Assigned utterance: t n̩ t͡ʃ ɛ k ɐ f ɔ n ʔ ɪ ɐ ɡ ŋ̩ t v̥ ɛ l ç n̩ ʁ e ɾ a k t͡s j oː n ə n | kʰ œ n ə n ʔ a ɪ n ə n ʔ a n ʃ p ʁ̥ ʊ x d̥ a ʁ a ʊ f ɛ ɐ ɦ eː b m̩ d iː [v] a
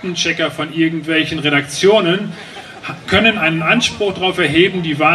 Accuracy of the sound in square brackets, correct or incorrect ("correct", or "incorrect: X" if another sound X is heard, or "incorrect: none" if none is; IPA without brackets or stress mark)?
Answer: correct